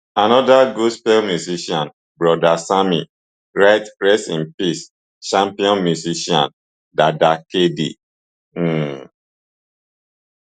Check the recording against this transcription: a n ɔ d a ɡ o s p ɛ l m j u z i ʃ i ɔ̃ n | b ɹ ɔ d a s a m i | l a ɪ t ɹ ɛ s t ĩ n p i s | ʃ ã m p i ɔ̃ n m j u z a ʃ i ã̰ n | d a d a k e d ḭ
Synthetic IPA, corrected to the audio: a n ɔ d a ɡ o s p ɛ l m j u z i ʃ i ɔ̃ n | b ɹ ɔ d a s a m i | ɹ a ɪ t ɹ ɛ s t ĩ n p i s | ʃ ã m p i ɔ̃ n m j u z i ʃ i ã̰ n | d a d a k e d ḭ